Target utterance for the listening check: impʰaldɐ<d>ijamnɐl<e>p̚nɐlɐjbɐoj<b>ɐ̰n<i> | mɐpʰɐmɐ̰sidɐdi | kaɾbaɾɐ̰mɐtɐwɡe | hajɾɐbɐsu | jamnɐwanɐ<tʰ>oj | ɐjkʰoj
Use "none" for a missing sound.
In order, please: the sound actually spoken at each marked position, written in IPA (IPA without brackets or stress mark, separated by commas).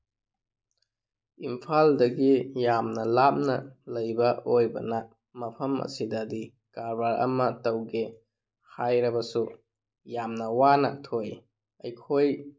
ɡ, a, b, a, tʰ